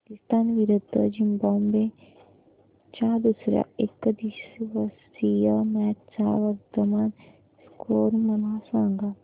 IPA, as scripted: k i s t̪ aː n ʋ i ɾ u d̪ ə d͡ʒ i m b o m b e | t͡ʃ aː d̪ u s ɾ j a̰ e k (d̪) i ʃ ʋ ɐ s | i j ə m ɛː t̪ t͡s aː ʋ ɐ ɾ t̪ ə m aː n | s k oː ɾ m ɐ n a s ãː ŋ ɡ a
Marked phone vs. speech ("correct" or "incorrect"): correct